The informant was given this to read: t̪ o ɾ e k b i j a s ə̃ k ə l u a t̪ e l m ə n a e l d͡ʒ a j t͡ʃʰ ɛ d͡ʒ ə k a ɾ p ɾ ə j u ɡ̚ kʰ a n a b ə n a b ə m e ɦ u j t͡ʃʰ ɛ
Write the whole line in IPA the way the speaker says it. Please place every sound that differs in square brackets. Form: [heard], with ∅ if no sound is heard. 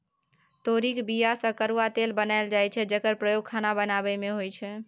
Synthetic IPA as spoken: t̪ o ɾ [i] k b i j a s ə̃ k ə [ɾ] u a t̪ e l [b] ə n a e l d͡ʒ a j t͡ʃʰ ɛ d͡ʒ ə k [ə] ɾ p ɾ ə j [o] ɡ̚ kʰ a n a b ə n a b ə m e ɦ [o] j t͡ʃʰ ɛ